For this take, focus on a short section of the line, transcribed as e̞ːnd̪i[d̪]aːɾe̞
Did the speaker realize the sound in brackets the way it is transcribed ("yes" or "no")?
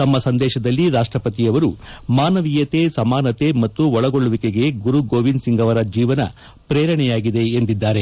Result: no